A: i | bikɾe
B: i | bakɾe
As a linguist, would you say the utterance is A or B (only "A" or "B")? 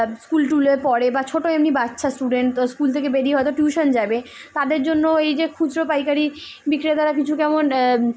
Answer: A